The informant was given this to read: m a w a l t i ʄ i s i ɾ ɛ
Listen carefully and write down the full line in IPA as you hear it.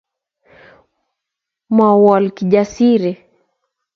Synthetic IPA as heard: m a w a l k i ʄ a s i ɾ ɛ